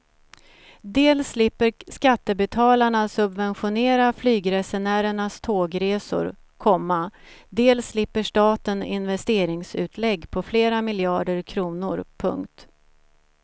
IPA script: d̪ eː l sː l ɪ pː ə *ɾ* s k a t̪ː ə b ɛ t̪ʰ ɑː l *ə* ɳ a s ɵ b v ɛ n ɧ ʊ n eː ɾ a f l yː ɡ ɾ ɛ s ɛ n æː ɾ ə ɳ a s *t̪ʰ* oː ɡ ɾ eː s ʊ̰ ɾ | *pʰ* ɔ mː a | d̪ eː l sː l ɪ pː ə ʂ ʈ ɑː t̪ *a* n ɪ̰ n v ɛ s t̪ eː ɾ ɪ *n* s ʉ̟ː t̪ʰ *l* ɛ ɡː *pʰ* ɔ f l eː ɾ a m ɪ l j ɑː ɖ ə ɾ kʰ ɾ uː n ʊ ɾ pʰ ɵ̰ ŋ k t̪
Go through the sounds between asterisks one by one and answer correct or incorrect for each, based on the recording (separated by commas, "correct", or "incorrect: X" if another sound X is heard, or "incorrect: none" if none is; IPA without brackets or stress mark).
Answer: correct, incorrect: a, correct, incorrect: kʰ, incorrect: ə, incorrect: ŋ, correct, correct